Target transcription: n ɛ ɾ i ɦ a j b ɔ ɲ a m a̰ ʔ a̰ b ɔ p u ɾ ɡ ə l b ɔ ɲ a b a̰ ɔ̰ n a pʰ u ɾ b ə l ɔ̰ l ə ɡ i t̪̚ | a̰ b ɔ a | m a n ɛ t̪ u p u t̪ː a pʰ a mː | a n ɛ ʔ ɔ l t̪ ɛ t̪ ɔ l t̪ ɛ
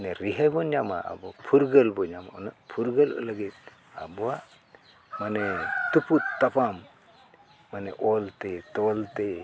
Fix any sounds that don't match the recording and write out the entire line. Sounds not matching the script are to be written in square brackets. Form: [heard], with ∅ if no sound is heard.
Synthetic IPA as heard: n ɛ ɾ i ɦ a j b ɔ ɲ a m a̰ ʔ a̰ b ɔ [pʰ] u ɾ ɡ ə l b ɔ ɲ a [m] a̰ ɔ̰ n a pʰ u ɾ [ɡ] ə l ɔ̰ l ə ɡ i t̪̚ | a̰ b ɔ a | m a n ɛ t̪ u p u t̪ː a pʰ a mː | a n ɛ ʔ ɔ l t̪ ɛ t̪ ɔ l t̪ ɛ